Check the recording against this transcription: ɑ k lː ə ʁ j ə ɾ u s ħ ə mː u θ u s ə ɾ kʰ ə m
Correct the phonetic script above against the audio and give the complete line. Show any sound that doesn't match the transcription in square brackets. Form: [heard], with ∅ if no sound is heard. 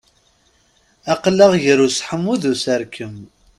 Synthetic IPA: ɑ [q] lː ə ʁ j ə ɾ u s ħ ə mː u [ð] u s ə ɾ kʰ ə m